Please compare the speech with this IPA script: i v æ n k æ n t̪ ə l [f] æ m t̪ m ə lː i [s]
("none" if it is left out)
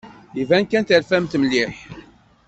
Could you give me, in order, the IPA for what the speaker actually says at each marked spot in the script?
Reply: f, ħ

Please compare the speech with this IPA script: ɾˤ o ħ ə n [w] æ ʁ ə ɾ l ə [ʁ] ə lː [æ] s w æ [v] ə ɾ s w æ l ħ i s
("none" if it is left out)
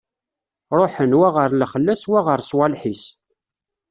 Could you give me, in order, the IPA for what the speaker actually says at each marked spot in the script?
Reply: w, χ, æ, ʁ

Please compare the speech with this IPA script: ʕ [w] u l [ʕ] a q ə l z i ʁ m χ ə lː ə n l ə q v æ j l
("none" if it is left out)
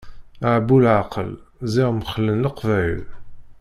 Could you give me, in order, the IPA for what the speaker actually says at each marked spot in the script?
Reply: b, ʕ

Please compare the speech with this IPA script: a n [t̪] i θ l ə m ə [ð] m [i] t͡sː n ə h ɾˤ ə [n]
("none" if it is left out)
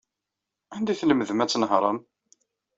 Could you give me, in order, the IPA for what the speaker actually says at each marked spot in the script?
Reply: d̪, ð, æ, m

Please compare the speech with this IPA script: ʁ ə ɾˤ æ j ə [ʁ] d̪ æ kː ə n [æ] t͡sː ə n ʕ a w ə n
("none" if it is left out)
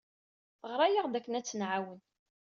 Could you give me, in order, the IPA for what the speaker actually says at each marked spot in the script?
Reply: ʁ, æ

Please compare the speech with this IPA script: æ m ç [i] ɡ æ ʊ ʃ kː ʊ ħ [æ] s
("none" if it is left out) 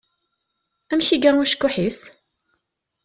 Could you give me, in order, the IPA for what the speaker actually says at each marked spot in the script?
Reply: i, i

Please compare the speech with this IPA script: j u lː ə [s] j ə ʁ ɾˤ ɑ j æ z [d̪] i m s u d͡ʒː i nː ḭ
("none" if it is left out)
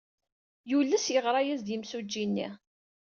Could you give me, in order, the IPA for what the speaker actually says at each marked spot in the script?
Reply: s, d̪

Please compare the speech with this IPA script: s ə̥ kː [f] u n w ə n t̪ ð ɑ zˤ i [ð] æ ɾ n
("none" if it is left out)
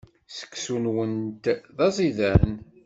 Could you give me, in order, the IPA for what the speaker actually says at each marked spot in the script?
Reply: s, ð

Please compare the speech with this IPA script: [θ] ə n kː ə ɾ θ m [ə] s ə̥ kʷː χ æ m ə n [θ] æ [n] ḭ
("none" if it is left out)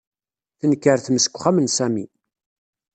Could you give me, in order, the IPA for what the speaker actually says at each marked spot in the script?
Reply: θ, ə, s, m

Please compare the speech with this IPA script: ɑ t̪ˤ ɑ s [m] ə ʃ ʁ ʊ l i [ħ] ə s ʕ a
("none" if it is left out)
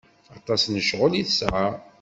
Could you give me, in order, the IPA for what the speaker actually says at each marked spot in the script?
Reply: n, θ

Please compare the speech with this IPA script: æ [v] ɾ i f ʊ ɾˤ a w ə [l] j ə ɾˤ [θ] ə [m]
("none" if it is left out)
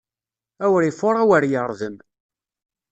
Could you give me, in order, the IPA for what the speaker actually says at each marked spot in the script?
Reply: w, ɾ, ð, m

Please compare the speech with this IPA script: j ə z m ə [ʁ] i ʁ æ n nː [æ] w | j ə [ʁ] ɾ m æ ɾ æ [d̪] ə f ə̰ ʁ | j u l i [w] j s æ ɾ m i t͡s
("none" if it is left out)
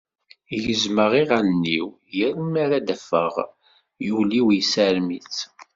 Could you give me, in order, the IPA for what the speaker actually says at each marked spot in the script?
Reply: ʁ, i, none, d̪, w

